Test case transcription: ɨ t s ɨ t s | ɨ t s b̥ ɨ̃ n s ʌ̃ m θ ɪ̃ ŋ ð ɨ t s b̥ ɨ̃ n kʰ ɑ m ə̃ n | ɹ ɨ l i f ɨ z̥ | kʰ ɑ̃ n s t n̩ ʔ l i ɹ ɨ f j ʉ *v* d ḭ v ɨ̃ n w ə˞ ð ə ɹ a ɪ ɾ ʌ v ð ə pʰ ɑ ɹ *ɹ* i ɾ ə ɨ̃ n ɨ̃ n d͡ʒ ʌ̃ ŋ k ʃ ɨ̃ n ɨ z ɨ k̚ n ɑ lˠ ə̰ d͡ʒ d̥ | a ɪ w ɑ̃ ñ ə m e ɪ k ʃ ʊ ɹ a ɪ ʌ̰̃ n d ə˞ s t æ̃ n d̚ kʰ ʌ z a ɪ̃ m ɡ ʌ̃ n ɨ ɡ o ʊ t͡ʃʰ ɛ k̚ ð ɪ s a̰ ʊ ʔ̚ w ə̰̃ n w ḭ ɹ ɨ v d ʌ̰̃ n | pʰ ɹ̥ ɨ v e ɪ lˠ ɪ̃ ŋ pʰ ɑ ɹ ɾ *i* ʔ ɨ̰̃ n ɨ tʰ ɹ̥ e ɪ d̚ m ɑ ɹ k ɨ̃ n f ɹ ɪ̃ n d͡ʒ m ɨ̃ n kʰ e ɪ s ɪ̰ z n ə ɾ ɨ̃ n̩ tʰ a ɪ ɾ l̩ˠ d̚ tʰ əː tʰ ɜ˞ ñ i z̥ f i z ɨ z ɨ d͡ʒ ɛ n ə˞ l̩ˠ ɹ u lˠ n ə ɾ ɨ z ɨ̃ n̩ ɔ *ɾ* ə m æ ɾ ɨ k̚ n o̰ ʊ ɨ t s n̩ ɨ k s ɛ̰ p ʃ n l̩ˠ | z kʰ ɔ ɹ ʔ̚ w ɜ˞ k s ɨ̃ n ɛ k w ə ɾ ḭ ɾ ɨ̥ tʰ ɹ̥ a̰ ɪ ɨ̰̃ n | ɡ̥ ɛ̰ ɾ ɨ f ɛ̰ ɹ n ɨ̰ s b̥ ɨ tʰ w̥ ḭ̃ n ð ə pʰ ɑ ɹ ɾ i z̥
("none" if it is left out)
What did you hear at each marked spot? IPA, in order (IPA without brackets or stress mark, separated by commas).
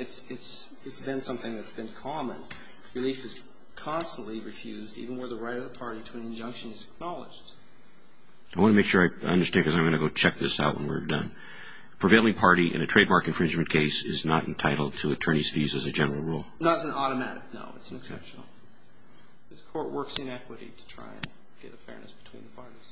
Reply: z, ɾ, i, ɾ